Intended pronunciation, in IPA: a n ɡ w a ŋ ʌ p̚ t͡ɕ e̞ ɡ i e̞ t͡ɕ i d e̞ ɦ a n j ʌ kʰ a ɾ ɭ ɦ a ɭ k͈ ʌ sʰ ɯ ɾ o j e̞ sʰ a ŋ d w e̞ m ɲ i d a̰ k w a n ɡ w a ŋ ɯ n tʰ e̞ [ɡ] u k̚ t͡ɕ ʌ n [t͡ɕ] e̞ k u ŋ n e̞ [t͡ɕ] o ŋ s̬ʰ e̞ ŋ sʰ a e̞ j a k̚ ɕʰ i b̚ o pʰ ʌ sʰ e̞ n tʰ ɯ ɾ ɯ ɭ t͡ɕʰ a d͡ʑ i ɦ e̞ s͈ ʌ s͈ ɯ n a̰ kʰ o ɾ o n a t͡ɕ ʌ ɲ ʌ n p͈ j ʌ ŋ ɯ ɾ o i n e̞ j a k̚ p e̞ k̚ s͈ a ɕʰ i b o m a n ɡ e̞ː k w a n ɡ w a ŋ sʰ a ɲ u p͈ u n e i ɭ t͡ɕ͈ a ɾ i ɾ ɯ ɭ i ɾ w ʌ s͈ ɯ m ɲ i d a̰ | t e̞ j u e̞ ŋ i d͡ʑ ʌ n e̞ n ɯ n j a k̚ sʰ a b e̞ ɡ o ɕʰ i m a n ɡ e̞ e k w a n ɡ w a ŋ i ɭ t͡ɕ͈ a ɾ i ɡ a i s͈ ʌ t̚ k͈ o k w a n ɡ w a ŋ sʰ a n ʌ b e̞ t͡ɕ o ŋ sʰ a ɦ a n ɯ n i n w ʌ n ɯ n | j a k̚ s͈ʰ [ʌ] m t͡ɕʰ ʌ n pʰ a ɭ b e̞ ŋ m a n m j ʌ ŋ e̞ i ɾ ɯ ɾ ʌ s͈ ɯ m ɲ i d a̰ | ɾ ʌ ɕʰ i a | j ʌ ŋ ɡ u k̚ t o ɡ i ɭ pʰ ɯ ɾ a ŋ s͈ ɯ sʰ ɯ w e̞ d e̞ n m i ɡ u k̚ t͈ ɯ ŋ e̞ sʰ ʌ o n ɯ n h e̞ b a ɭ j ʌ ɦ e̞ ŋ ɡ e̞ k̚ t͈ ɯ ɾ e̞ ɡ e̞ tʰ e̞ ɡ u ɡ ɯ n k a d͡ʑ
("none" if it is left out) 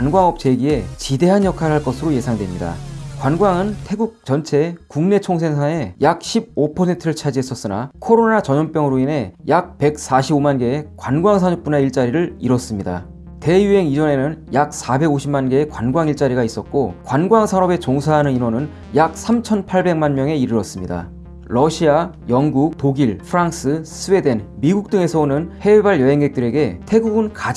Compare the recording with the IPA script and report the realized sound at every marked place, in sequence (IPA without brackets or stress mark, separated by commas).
ɡ, t͡ɕʰ, t͡ɕʰ, a